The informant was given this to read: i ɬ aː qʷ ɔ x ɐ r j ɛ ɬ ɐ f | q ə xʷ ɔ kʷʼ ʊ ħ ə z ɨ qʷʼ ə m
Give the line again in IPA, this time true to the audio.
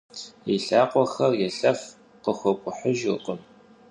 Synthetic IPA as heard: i ɬ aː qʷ ɔ x ɐ r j ɛ ɬ ɐ f | q ə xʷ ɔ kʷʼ ʊ ħ ə ʒ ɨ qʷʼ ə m